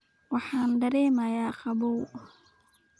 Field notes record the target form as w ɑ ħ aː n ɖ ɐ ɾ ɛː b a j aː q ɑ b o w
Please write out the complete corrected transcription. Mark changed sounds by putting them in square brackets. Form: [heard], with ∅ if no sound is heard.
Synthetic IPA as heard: w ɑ ħ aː n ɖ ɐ ɾ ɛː [m] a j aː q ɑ b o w

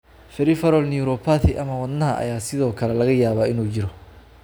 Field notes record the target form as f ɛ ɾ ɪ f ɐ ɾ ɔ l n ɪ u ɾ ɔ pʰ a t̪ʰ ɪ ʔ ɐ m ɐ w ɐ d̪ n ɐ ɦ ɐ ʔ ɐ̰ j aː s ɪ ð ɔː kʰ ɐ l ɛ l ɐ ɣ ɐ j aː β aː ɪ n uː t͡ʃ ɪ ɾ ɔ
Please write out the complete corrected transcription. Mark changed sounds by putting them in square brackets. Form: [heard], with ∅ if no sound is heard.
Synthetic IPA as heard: f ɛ ɾ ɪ f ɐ ɾ ɔ l n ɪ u ɾ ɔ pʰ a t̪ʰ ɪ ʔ ɐ m ɐ w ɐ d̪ n ɐ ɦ ɐ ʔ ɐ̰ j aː s ɪ ð ɔː kʰ ɐ l ɛ l ɐ ɣ ɐ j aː β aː ɪ n uː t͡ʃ ɪ ɾ ɔ

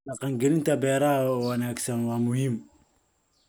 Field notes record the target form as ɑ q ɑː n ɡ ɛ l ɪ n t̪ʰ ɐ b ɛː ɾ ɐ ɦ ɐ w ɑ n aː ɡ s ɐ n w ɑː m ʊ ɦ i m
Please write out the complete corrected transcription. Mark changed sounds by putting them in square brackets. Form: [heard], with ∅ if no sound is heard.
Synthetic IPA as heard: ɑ q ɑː [ŋ] ɡ ɛ l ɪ n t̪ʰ ɐ b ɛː ɾ ɐ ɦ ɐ w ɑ n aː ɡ s ɐ n w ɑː m ʊ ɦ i m

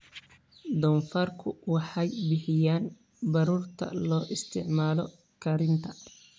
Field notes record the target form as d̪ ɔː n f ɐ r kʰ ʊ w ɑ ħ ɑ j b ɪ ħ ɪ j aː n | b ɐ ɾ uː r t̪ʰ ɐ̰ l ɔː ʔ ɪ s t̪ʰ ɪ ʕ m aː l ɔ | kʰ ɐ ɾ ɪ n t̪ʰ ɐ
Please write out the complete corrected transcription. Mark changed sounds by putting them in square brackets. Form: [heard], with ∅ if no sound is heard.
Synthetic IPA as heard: d̪ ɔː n f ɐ r kʰ ʊ w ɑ ħ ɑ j b ɪ ħ ɪ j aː n | b ɐ ɾ uː r t̪ʰ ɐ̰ l ɔː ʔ ɪ s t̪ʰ ɪ ʕ m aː l ɔ | kʰ ɐ ɾ ɪ n t̪ʰ ɐ

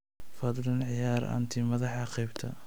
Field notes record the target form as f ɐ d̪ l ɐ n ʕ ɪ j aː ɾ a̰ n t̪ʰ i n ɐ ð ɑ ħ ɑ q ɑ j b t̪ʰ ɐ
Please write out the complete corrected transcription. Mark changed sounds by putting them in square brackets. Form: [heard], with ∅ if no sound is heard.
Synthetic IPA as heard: f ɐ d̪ l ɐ n ʕ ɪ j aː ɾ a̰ n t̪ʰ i [m] ɐ ð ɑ ħ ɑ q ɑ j b t̪ʰ ɐ

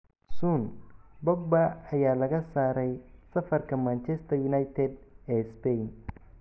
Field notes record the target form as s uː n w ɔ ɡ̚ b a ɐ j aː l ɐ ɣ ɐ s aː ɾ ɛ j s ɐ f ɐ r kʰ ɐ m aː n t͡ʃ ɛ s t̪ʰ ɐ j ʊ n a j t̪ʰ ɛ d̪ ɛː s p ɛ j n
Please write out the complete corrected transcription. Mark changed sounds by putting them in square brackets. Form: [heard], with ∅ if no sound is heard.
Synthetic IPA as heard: s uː n [b] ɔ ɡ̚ b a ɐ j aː l ɐ ɣ ɐ s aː ɾ ɛ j s ɐ f ɐ r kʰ ɐ m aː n t͡ʃ ɛ s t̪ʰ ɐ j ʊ n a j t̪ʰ ɛ d̪ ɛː s p ɛ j n

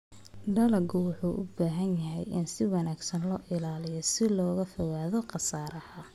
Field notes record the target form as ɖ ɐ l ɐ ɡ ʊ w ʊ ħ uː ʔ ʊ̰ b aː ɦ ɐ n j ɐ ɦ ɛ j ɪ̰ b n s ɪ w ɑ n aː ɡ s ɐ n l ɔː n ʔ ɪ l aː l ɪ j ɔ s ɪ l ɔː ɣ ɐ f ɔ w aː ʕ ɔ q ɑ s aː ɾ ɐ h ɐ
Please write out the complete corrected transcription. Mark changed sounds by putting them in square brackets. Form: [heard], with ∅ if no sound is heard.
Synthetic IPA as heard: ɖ ɐ l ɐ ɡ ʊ w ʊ ħ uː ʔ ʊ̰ b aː ɦ ɐ n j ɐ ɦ ɛ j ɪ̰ [∅] n s ɪ w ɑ n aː ɡ s ɐ n l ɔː [∅] ʔ ɪ l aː l ɪ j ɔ s ɪ l ɔː ɣ ɐ f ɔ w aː [ð] ɔ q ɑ s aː ɾ ɐ h ɐ

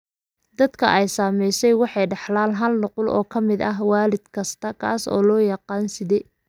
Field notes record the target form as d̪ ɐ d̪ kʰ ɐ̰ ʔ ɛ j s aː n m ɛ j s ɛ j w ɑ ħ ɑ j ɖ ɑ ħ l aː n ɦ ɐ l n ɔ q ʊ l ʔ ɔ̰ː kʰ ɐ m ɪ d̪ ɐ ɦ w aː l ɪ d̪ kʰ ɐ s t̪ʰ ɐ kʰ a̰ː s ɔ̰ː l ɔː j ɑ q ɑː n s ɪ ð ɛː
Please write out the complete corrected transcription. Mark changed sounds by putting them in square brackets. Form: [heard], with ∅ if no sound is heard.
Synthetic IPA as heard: d̪ ɐ d̪ kʰ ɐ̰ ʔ ɛ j s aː [∅] m ɛ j s ɛ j w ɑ ħ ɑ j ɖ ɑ ħ l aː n ɦ ɐ l n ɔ q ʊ l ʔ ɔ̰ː kʰ ɐ m ɪ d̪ ɐ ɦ w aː l ɪ d̪ kʰ ɐ s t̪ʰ ɐ kʰ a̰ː s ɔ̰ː l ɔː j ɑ q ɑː n s ɪ ð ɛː

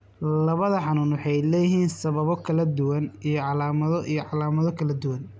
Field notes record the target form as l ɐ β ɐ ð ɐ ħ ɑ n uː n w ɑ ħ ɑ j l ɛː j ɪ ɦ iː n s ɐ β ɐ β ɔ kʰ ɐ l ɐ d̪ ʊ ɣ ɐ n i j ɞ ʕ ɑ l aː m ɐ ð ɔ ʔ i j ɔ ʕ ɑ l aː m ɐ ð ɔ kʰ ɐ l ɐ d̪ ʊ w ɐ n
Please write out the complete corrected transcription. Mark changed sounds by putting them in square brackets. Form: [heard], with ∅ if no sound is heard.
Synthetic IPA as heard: l ɐ β ɐ ð ɐ ħ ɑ n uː n w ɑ ħ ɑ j l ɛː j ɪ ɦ iː n s ɐ β ɐ β ɔ kʰ ɐ l ɐ d̪ ʊ [w] ɐ n i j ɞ ʕ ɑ l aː m ɐ ð ɔ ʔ i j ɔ ʕ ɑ l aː m ɐ ð ɔ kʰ ɐ l ɐ d̪ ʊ w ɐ n

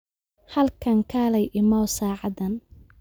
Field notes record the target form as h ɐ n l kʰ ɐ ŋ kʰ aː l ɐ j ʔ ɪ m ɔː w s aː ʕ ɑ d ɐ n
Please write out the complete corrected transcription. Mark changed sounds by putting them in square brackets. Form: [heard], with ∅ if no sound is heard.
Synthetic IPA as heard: h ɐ [∅] l kʰ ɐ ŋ kʰ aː l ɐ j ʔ ɪ m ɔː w s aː ʕ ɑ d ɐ n

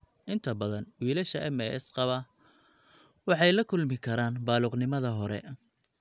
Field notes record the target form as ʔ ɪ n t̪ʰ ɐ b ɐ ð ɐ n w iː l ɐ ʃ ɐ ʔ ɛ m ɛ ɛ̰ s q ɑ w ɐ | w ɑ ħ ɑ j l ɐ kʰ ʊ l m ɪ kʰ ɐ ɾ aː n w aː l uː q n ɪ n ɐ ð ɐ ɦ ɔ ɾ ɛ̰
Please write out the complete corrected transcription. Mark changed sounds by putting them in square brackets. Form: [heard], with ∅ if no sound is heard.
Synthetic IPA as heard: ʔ ɪ n t̪ʰ ɐ b ɐ ð ɐ n w iː l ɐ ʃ ɐ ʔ ɛ m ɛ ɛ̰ s q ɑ [β] ɐ | w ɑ ħ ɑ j l ɐ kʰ ʊ l m ɪ kʰ ɐ ɾ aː n [b] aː l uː q n ɪ [m] ɐ ð ɐ ɦ ɔ ɾ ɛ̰

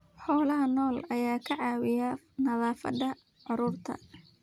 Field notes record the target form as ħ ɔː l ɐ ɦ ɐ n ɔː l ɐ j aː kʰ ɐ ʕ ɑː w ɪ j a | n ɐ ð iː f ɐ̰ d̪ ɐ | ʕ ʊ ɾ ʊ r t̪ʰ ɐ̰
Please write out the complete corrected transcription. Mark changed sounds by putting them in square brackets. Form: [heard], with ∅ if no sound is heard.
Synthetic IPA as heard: ħ ɔː l ɐ ɦ ɐ n ɔː l ɐ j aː kʰ ɐ ʕ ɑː w ɪ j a | n ɐ ð [aː] f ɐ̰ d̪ ɐ | ʕ ʊ ɾ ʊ r t̪ʰ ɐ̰

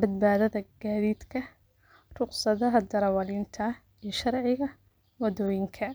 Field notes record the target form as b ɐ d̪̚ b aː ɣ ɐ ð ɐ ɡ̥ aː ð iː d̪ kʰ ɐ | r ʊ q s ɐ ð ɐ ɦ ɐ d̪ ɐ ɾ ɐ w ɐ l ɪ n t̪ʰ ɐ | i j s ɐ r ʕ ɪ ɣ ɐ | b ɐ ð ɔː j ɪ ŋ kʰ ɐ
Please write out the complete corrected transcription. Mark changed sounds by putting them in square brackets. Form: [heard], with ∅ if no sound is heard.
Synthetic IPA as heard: b ɐ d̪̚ b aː [ð] ɐ ð ɐ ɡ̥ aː ð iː d̪ kʰ ɐ | r ʊ q s ɐ ð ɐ ɦ ɐ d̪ ɐ ɾ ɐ w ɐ l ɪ n t̪ʰ ɐ | i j [ʃ] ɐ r ʕ ɪ ɣ ɐ | [w] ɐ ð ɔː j ɪ ŋ kʰ ɐ

